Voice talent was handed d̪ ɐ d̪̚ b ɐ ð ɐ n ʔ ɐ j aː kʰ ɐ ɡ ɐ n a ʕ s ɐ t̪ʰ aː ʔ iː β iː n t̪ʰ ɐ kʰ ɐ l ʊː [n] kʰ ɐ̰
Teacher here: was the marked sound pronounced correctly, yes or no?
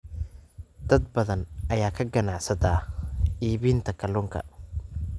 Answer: no